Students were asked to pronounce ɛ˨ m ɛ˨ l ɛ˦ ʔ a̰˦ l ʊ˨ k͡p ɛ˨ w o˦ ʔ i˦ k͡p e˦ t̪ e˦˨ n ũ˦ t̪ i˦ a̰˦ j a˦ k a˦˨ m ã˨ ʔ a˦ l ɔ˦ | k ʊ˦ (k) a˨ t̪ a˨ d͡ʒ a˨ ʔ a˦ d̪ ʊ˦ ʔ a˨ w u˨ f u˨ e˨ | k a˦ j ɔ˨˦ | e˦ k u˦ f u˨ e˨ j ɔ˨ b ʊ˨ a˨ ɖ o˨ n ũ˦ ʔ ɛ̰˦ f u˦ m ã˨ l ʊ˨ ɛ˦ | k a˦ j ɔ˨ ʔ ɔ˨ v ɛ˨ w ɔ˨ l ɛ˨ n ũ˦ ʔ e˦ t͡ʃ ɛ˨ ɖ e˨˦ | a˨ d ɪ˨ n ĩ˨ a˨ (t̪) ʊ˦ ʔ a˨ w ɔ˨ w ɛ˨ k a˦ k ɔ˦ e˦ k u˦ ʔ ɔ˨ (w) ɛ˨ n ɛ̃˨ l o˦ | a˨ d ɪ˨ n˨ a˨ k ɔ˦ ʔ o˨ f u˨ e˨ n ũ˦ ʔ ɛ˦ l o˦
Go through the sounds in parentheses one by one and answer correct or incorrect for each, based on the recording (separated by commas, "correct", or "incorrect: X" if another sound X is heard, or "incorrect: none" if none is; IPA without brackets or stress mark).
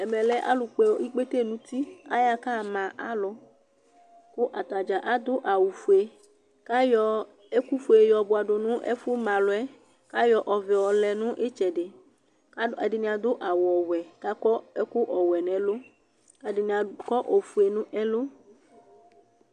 incorrect: ʔ, incorrect: d̪, correct